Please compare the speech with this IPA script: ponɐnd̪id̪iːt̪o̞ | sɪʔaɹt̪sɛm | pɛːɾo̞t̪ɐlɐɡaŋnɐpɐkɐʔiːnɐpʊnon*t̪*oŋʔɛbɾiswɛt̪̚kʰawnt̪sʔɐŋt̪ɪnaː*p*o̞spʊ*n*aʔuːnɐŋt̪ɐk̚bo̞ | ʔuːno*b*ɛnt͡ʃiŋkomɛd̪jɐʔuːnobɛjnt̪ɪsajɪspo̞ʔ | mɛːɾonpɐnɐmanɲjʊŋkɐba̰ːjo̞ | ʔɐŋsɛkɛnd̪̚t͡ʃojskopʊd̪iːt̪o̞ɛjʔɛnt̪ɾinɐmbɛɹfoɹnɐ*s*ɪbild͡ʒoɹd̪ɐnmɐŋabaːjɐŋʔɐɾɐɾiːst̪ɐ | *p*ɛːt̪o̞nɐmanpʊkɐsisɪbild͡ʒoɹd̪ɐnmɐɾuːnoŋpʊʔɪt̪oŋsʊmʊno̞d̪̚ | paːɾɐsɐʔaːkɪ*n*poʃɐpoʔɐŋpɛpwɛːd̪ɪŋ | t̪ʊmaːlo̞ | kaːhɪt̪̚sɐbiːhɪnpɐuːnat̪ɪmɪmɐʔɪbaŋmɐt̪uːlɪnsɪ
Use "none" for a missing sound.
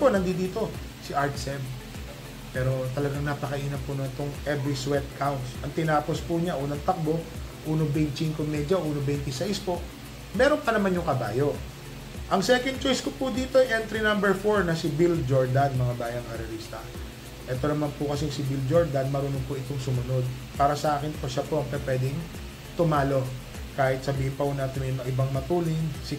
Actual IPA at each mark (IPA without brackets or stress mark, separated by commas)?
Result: t̪, p, ɲ, b, s, ʔ, n